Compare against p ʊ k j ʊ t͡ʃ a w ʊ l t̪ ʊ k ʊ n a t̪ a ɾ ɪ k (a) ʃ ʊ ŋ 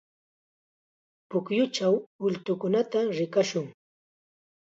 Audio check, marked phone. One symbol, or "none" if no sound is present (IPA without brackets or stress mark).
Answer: a